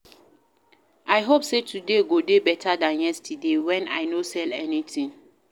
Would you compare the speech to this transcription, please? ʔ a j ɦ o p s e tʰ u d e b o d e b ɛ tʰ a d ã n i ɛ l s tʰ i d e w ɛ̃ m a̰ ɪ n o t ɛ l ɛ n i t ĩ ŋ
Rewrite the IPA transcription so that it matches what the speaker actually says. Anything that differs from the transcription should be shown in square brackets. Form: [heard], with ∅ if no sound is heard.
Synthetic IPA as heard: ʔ a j ɦ o p s e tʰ u d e [ɡ] o d e b ɛ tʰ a d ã n [j] ɛ [∅] s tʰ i d e w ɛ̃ [n] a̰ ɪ n o [s] ɛ l ɛ n i t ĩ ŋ